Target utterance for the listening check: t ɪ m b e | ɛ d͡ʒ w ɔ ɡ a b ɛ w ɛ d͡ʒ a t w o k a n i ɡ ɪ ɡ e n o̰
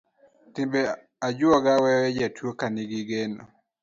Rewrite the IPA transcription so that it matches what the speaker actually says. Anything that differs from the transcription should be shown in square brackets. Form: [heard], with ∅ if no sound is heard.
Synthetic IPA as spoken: t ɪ m b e | [a] d͡ʒ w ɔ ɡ a [w] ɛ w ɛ d͡ʒ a t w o k a n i ɡ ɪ ɡ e n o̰